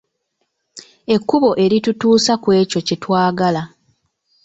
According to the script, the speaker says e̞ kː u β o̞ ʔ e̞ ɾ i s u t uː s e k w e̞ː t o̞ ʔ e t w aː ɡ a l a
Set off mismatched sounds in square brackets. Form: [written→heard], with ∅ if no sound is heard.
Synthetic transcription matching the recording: e̞ kː u β o̞ ʔ e̞ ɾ i [s→t] u t uː s [e→a] k w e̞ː [t→c] o̞ [ʔ→c] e t w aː ɡ a l a